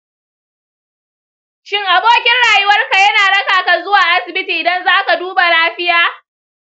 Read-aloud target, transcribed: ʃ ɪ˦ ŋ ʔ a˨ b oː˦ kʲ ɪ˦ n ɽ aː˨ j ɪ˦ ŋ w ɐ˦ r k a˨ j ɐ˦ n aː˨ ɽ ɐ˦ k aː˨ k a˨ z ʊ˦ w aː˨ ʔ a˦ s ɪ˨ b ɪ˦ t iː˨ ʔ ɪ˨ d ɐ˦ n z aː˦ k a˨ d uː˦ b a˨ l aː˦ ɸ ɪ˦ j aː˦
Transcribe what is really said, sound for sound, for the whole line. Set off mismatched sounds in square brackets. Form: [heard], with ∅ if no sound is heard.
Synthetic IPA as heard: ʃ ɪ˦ ŋ ʔ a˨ b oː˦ kʲ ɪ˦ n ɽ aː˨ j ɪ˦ [∅] w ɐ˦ r k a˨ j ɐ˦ n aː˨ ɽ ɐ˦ k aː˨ k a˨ z ʊ˦ w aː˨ ʔ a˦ s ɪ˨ b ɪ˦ t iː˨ ʔ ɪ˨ d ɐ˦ n z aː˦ k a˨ d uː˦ b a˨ l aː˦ ɸ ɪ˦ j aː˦